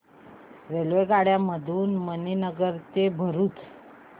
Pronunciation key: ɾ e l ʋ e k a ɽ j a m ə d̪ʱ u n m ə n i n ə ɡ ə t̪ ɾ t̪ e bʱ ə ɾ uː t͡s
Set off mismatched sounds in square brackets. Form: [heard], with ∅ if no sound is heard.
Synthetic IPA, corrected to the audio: ɾ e l ʋ e [ɡ] a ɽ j a m ə d̪ʱ [uː] n m ə n i n ə ɡ ə [∅] ɾ t̪ e bʱ ə ɾ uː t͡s